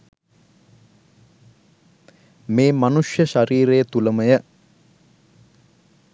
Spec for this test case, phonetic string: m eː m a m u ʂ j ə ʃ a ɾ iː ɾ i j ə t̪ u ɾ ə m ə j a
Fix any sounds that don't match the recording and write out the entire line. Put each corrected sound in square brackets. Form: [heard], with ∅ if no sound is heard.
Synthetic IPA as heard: m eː m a [n] u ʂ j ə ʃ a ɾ iː ɾ [e] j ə t̪ u [l] ə m ə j [ə]